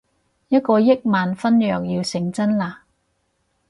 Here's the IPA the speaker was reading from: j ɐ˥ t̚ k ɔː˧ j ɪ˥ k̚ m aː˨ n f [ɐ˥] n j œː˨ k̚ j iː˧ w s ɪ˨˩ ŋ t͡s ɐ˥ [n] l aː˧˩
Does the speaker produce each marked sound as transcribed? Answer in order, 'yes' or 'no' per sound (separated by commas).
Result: yes, yes